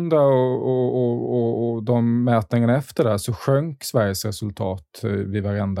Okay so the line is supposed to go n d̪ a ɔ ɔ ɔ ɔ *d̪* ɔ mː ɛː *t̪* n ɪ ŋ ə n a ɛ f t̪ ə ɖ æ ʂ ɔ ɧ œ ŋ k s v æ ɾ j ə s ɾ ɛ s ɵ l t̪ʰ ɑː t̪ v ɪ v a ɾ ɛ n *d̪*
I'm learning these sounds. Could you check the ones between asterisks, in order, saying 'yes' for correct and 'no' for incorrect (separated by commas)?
yes, yes, yes